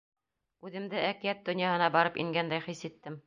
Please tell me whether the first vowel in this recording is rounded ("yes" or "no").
yes